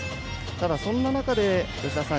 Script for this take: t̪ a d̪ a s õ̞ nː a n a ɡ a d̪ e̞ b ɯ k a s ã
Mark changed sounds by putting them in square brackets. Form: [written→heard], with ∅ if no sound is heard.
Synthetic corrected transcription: t̪ a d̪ a s õ̞ nː a n a [ɡ→k] a d̪ e̞ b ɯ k a s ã